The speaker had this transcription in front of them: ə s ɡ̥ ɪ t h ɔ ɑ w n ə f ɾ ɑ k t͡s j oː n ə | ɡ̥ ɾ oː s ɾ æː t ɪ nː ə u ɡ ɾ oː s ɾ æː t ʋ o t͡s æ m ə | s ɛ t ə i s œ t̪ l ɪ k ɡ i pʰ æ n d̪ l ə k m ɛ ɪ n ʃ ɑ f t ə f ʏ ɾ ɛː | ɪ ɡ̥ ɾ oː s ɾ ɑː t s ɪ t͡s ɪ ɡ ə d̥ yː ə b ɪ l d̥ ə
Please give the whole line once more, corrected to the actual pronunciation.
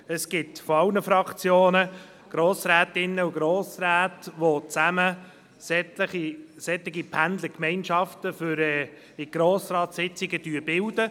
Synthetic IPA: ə s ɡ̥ ɪ t f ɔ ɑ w n ə f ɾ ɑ k t͡s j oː n ə | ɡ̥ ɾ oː s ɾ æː t ɪ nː ə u ɡ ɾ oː s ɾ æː t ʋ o t͡s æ m ə | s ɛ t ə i s ɛ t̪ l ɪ ɡ i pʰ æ n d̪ l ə k m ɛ ɪ n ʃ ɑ f t ə f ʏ ɾ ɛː | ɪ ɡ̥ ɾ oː s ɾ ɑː t s ɪ t͡s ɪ ɡ ə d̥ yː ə b ɪ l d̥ ə